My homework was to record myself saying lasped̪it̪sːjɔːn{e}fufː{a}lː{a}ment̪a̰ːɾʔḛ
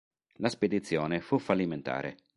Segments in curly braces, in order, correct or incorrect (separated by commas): correct, correct, incorrect